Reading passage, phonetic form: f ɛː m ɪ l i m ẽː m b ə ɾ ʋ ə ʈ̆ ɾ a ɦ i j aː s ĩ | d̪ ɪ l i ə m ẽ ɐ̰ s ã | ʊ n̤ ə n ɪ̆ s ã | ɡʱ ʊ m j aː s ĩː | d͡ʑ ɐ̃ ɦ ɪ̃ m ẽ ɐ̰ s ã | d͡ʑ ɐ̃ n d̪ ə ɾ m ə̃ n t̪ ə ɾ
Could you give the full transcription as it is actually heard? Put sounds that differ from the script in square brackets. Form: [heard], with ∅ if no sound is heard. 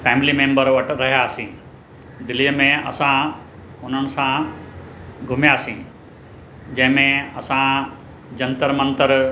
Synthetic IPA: f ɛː m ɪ l i m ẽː m b ə ɾ ʋ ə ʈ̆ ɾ [ɐ] ɦ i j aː s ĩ | d̪ ɪ l i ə m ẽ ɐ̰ s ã | ʊ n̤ ə n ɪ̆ s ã | ɡʱ ʊ m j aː s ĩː | d͡ʑ ɐ̃ ɦ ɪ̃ m ẽ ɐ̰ s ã | d͡ʑ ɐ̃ n [t̪] ə ɾ m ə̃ n t̪ ə ɾ